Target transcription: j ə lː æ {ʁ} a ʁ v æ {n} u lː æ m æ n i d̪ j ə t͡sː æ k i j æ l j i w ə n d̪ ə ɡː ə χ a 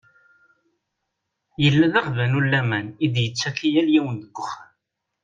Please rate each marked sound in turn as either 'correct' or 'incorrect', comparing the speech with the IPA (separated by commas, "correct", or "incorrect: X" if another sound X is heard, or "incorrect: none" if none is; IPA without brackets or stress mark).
incorrect: ð, correct